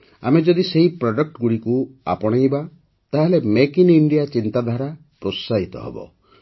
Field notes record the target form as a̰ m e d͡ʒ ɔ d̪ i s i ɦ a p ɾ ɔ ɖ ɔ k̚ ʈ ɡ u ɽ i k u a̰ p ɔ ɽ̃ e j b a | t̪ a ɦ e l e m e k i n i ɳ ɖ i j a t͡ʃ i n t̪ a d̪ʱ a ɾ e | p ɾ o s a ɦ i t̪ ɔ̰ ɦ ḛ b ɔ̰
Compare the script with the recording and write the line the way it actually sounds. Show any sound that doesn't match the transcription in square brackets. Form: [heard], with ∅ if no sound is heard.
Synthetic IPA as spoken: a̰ m e d͡ʒ ɔ d̪ i s [e] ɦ [i] p ɾ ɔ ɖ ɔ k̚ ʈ ɡ u ɽ i k u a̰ p ɔ ɽ̃ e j b a | t̪ a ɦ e l e m e k i n i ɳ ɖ i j a t͡ʃ i n t̪ a d̪ʱ a ɾ [a] | p ɾ o s a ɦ i t̪ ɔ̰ ɦ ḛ b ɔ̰